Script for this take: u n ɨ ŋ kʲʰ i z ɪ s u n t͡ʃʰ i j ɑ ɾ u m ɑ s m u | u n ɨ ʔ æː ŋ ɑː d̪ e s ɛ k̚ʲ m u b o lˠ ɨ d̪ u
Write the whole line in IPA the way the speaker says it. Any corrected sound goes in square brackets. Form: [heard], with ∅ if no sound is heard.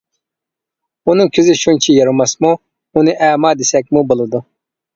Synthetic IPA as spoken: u n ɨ ŋ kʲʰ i z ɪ [ʃ] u n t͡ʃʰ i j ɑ ɾ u m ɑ s m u | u n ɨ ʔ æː [m] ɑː d̪ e s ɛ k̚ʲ m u b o lˠ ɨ d̪ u